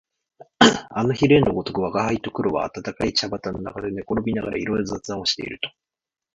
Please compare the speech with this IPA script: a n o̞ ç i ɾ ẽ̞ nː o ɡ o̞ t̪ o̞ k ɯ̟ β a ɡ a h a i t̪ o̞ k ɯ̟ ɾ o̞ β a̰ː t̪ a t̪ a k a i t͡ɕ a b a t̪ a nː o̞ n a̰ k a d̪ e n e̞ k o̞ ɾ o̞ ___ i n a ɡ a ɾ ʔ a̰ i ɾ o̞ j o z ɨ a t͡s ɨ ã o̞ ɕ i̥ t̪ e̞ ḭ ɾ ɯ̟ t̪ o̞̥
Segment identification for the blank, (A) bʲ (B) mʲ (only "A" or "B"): A